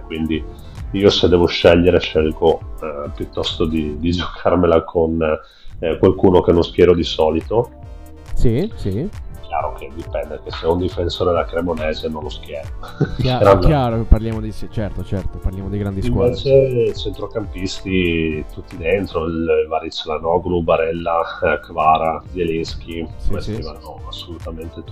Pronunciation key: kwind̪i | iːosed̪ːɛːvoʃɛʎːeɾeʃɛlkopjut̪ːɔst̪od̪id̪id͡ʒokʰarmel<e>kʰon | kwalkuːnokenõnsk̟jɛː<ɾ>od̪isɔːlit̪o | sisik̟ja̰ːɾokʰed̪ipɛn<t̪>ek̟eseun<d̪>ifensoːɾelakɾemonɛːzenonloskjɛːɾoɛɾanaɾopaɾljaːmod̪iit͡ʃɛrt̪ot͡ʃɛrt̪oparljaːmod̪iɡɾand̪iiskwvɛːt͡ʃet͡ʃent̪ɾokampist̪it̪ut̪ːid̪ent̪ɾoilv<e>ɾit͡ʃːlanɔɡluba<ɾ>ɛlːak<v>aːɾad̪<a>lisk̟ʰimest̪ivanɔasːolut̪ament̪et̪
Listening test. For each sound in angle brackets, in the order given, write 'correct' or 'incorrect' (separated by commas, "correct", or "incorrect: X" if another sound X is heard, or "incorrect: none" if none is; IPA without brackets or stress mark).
incorrect: a, correct, incorrect: d̪, correct, incorrect: a, correct, correct, incorrect: e